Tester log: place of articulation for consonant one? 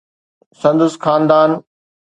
alveolar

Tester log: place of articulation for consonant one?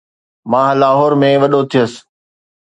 labial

